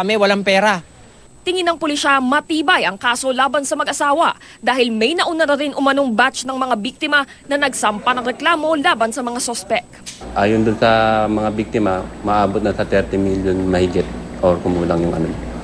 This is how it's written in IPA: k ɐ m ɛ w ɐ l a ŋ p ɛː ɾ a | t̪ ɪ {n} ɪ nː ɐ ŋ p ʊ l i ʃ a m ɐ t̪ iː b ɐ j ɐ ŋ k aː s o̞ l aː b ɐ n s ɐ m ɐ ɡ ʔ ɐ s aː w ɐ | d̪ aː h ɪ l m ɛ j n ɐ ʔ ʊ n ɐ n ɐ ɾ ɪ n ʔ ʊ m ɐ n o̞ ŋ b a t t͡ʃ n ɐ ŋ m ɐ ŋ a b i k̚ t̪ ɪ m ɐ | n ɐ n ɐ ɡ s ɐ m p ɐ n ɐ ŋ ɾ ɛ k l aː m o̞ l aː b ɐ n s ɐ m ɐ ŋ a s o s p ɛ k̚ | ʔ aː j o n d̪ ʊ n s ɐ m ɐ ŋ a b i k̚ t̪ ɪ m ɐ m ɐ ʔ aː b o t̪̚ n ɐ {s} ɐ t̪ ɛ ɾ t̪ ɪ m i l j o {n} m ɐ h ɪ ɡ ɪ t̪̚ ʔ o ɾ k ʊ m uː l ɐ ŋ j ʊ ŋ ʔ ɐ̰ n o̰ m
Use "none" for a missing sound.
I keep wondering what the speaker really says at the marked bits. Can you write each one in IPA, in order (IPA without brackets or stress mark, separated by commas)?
ŋ, s, n